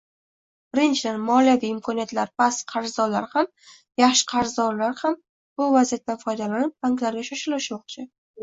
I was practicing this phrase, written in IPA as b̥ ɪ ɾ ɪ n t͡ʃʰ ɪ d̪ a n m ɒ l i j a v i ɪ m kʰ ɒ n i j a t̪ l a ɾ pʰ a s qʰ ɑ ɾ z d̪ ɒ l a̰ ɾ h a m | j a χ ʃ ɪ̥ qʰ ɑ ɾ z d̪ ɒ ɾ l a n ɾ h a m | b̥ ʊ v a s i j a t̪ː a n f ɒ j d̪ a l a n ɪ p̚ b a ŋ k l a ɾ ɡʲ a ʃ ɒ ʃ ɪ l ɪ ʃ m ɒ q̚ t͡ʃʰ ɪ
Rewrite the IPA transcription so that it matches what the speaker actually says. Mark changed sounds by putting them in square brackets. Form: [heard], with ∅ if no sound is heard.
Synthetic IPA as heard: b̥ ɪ ɾ ɪ n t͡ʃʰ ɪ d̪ a n m ɒ l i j a v i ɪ m kʰ ɒ n i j a t̪ l a ɾ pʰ a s qʰ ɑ ɾ z d̪ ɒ l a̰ ɾ h a m | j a χ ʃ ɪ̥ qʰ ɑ ɾ z d̪ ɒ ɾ l a [∅] ɾ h a m | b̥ ʊ v a [z] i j a t̪ː a n f ɒ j d̪ a l a n ɪ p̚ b a ŋ k l a ɾ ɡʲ a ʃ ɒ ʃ ɪ l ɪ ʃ m ɒ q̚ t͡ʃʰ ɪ

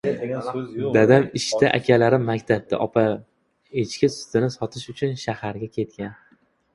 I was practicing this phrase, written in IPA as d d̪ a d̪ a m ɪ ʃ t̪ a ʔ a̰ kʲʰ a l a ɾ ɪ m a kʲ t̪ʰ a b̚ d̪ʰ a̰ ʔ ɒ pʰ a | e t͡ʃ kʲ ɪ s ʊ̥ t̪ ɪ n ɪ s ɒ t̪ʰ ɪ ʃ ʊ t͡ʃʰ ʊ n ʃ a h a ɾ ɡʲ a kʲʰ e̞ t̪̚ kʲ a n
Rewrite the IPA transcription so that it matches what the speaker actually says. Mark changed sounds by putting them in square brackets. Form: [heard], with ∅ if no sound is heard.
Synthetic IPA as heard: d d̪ a d̪ a m ɪ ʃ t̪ a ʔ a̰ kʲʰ a l a ɾ ɪ m a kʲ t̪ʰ a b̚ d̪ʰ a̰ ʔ ɒ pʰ a | e t͡ʃ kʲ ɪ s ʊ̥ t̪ ɪ n ɪ s ɒ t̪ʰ ɪ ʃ ʊ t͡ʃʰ ʊ n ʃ a h a ɾ ɡʲ a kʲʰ e̞ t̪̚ kʲ a n

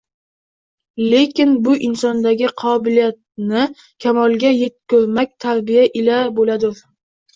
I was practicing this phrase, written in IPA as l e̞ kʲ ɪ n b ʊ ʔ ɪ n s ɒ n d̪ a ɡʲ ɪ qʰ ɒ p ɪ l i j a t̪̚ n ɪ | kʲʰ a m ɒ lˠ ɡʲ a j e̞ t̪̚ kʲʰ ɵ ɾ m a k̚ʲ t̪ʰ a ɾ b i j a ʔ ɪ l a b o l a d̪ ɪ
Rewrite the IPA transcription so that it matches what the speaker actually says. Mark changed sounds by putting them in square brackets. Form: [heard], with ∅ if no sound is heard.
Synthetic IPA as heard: l e̞ kʲ ɪ n b ʊ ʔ ɪ n s ɒ n d̪ a ɡʲ ɪ qʰ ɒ [b] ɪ l i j a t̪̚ n ɪ | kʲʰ a m ɒ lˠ ɡʲ a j e̞ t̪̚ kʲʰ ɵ ɾ m a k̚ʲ t̪ʰ a ɾ b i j a ʔ ɪ l a b o l a d̪ ɪ

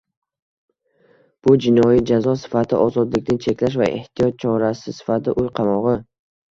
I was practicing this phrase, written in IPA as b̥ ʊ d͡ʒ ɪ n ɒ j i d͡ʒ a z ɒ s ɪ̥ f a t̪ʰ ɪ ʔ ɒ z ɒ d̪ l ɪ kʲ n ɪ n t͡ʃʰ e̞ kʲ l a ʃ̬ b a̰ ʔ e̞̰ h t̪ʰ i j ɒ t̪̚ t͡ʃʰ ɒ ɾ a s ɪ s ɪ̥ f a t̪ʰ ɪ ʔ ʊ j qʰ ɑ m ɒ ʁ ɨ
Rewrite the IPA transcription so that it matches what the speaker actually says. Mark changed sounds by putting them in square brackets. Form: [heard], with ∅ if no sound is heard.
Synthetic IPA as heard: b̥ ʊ d͡ʒ ɪ n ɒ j i d͡ʒ a z ɒ s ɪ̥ f a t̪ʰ ɪ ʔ ɒ z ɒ d̪ l ɪ kʲ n ɪ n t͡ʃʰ e̞ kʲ l a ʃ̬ [v] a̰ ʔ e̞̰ h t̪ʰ i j ɒ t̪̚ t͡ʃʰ ɒ ɾ a s ɪ s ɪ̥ f a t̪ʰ ɪ ʔ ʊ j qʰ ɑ m ɒ ʁ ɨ

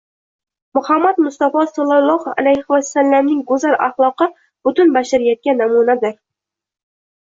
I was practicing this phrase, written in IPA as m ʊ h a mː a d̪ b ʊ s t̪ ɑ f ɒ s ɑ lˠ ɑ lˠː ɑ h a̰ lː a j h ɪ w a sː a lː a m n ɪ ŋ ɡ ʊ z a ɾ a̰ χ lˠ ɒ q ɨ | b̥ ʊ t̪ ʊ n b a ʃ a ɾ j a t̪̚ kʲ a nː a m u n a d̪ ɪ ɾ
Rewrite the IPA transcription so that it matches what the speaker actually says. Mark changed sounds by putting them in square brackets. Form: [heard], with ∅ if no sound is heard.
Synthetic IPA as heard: m ʊ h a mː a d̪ [m] ʊ s t̪ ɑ f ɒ s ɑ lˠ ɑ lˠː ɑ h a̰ [l] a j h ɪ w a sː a lː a m n ɪ ŋ ɡ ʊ z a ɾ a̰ χ lˠ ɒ q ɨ | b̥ ʊ t̪ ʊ n b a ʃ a ɾ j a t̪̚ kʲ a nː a m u n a d̪ ɪ ɾ

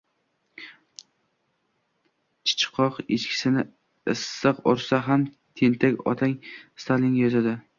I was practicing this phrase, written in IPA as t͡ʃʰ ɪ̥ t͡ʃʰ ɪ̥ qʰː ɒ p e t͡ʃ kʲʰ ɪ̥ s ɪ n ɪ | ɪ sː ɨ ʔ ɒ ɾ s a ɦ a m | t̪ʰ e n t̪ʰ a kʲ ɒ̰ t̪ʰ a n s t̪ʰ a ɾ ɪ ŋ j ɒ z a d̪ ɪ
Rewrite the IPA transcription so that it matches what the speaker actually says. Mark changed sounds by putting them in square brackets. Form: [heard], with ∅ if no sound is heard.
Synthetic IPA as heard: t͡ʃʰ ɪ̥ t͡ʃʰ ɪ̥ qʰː ɒ [q] e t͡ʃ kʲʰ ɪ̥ s ɪ n ɪ | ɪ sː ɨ [q] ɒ ɾ s a ɦ a m | t̪ʰ e n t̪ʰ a kʲ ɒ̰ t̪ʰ a [ŋ] s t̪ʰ a [l] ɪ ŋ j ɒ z a d̪ ɪ

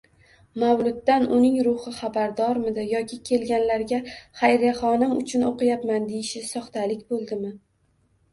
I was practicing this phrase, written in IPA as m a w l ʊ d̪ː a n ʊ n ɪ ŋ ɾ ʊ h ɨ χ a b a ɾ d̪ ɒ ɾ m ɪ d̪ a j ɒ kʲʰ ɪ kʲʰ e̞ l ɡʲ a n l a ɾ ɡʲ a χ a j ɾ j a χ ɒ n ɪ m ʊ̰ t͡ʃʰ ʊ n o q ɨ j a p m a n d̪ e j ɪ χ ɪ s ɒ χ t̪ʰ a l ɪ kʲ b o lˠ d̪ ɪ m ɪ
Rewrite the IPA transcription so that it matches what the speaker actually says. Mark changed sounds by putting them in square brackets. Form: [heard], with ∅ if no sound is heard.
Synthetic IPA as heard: m a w l ʊ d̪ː a n ʊ n ɪ ŋ ɾ ʊ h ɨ χ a b a ɾ d̪ ɒ ɾ m ɪ d̪ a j ɒ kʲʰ ɪ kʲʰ e̞ l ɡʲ a n l a ɾ ɡʲ a χ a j ɾ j a χ ɒ n ɪ m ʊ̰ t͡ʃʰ ʊ n o q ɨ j a p m a n d̪ e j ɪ [ʃ] ɪ s ɒ χ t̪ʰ a l ɪ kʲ b o lˠ d̪ ɪ m ɪ

